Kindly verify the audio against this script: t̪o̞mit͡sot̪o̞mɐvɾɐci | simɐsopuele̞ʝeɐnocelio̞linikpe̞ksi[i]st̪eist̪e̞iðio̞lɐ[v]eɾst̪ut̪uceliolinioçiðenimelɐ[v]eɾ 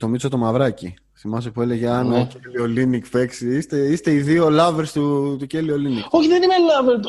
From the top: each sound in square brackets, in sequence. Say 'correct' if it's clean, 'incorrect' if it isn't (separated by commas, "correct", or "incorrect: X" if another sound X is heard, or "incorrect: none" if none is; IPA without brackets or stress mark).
correct, correct, correct